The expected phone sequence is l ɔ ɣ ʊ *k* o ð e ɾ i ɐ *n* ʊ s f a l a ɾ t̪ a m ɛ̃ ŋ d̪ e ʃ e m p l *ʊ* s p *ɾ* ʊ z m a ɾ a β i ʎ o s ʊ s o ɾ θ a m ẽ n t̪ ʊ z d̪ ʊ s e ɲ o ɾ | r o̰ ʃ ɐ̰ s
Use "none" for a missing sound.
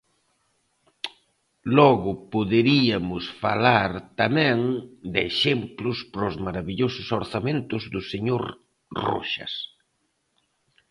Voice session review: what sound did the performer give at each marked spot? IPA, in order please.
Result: p, m, ʊ, ɾ

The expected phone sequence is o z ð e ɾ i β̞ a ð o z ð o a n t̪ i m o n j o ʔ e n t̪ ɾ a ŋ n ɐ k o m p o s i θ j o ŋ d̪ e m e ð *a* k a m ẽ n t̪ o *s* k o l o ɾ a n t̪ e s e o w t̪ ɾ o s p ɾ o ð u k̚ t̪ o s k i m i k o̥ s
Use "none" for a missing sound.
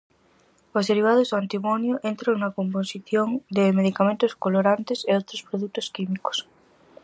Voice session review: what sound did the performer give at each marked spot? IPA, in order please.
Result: i, s

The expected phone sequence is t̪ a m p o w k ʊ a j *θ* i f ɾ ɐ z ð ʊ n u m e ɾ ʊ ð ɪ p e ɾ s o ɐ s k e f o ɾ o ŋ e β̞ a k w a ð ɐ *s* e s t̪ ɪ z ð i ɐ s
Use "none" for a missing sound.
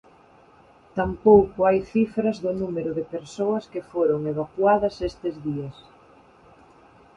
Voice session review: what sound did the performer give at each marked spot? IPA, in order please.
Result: θ, s

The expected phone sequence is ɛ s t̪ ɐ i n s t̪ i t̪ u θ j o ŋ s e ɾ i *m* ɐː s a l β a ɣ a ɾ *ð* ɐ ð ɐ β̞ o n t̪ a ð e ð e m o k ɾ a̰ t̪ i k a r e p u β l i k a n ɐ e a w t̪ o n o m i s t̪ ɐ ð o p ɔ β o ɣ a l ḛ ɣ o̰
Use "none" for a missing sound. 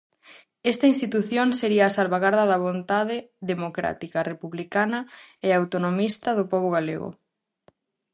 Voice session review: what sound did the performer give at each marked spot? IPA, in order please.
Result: none, ð

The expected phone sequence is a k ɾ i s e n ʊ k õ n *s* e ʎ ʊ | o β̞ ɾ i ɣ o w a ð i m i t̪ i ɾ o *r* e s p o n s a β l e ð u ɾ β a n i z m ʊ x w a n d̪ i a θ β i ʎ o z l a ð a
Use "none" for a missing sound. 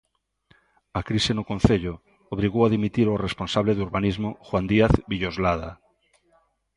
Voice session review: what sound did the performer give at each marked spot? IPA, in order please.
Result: θ, r

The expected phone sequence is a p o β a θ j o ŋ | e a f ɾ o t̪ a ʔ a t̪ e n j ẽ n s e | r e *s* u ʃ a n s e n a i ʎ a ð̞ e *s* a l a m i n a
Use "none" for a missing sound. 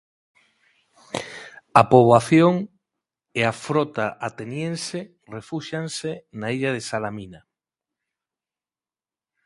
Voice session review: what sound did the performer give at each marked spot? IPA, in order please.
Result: f, s

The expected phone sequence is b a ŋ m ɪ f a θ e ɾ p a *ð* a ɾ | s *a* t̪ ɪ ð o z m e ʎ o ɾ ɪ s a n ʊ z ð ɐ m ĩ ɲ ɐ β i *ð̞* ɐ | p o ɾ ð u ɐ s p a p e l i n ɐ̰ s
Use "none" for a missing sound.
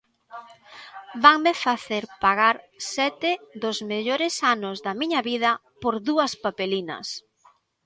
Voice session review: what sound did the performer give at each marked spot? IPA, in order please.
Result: ɣ, ɛ, ð̞

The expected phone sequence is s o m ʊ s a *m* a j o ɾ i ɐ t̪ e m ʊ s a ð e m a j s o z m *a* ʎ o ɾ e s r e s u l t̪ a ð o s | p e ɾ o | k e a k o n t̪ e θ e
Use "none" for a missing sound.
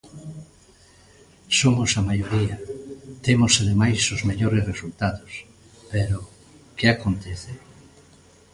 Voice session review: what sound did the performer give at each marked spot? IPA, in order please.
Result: m, e

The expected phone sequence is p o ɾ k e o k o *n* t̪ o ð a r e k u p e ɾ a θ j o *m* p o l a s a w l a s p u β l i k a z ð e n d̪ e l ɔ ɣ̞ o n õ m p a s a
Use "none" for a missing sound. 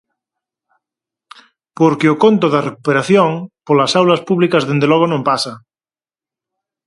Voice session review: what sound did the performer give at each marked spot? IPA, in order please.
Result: n, ŋ

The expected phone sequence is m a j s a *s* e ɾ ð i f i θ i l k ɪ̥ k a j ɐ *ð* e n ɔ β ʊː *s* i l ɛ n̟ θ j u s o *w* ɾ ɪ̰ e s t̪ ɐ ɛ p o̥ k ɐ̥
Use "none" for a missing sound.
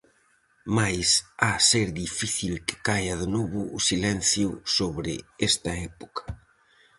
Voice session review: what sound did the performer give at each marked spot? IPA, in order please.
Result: s, ð, s, β

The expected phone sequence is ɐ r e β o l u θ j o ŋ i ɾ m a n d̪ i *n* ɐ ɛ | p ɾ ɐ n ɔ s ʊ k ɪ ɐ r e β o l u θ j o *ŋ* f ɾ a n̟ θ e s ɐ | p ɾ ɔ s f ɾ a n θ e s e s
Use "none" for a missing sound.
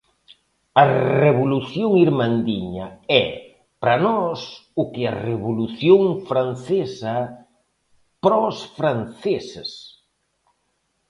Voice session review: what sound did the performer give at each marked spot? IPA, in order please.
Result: ɲ, ŋ

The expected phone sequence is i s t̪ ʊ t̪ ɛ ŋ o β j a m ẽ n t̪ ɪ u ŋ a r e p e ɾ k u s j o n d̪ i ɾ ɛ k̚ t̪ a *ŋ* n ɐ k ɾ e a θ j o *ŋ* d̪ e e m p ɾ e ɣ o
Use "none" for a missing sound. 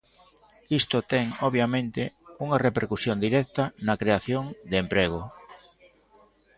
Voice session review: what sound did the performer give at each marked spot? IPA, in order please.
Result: none, ŋ

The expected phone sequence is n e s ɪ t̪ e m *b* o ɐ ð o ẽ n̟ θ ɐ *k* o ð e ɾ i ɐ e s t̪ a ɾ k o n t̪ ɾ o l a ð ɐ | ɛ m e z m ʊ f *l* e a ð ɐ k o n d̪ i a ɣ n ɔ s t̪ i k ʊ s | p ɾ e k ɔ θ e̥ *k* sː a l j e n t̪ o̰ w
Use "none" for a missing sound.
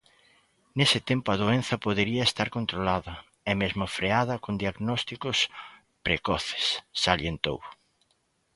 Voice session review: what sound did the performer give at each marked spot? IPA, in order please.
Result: p, p, ɾ, none

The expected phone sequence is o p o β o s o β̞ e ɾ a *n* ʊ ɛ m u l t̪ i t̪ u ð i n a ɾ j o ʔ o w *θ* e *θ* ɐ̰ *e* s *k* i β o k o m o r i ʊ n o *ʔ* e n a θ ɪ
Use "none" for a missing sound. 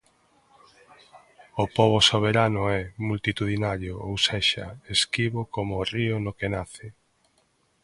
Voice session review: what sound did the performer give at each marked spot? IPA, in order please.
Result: n, s, ʃ, e, k, k

